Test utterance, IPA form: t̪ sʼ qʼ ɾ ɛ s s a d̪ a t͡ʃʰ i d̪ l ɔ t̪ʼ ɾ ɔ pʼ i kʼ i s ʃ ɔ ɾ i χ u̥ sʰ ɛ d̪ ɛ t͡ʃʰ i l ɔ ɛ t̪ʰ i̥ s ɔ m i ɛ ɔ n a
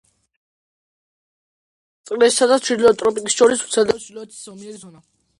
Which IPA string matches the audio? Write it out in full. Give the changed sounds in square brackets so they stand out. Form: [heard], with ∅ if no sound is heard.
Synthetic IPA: t̪ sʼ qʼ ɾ ɛ s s a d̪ a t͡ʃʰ i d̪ l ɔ t̪ʼ ɾ ɔ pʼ i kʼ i s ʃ ɔ ɾ i [s] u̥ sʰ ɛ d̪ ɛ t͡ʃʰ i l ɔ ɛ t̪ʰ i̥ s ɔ m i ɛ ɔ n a